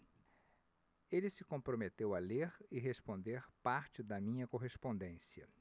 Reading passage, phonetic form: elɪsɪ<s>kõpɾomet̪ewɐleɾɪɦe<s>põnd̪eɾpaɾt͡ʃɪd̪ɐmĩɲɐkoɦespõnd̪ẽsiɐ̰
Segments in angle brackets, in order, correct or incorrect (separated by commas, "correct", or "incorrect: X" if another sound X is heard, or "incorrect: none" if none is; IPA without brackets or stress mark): incorrect: none, correct